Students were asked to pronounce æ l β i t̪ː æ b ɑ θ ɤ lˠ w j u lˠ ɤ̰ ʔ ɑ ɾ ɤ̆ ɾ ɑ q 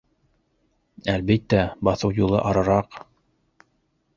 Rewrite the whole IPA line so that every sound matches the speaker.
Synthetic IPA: æ l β i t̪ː æ b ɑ θ ɤ w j u lˠ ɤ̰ ʔ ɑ ɾ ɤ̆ ɾ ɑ q